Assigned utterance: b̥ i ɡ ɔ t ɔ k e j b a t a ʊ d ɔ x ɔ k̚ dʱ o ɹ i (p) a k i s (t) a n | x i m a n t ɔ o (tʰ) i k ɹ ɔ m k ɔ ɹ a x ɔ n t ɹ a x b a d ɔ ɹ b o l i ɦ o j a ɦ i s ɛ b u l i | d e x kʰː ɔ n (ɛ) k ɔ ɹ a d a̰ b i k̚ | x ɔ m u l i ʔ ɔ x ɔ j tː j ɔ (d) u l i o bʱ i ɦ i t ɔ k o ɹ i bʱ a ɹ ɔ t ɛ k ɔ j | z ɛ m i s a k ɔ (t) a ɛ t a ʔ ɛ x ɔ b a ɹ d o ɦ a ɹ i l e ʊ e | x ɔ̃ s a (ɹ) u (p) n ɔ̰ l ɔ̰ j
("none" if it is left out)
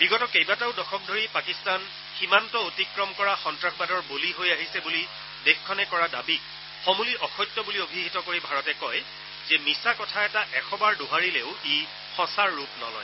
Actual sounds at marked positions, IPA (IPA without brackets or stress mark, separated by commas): p, t, t, ɛ, b, tʰ, ɹː, p